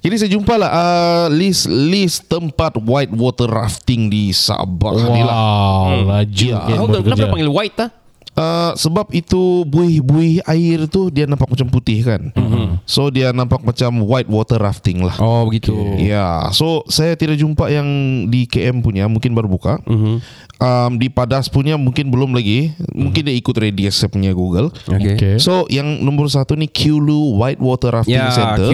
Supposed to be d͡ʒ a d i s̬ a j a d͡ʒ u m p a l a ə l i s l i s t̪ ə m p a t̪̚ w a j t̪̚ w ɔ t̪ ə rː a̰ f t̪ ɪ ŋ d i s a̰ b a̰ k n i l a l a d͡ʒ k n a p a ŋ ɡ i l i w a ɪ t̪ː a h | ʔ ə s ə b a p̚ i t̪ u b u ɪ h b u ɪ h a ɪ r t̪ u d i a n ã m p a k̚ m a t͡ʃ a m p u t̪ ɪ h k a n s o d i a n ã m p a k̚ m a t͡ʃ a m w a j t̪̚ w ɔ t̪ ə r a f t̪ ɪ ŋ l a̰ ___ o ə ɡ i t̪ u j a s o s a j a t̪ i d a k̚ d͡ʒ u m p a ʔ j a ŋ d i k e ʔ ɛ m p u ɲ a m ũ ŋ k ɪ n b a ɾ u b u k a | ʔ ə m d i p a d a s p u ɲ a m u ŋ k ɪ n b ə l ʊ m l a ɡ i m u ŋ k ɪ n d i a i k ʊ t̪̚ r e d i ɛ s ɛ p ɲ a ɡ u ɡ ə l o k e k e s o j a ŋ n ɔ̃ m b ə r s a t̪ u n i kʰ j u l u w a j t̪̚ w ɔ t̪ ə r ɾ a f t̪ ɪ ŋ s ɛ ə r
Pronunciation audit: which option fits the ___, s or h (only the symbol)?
h